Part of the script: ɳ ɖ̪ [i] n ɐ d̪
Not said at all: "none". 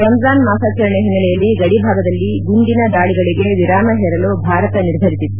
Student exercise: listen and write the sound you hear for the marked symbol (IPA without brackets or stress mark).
i